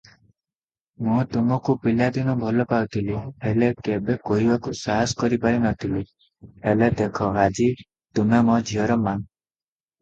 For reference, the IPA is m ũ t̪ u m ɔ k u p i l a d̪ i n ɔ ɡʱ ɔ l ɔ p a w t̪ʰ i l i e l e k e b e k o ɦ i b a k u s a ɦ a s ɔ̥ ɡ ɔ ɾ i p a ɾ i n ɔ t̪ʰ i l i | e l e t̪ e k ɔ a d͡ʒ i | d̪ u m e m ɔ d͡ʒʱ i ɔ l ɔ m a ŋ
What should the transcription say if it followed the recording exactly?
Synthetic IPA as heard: m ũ t̪ u m ɔ k u p i l a d̪ i n ɔ bʱ ɔ l ɔ p a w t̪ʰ i l i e l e k e b e k o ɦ i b a k u s a ɦ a s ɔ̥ k ɔ ɾ i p a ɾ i n ɔ t̪ʰ i l i | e l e d̪ e kʰ ɔ a d͡ʒ i | t̪ u m e m ɔ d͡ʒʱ i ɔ ɾ ɔ m a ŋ

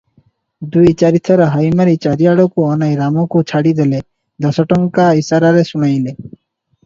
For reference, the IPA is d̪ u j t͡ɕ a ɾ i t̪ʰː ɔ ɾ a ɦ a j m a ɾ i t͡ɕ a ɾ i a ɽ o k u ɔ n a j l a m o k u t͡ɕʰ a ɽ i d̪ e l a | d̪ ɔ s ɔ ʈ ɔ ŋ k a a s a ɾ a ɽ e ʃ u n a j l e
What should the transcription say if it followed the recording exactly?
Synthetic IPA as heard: d̪ u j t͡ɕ a ɾ i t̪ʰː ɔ ɾ a ɦ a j m a ɾ i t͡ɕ a ɾ i a ɽ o k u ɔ n a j ɾ a m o k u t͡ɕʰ a ɽ i d̪ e l e | d̪ ɔ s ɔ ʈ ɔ ŋ k a i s a ɾ a ɾ e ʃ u n a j l e

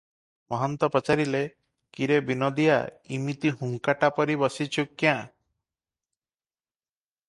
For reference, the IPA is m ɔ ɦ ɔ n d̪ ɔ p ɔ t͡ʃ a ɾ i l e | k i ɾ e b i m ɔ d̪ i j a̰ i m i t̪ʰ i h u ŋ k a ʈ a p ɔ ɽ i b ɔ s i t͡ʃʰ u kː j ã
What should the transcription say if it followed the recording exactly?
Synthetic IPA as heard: m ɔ ɦ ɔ n t̪ ɔ p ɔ t͡ʃ a ɾ i l e | k i ɾ e b i n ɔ d̪ i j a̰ i m i t̪ i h u ŋ k a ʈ a p ɔ ɾ i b ɔ s i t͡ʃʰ u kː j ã

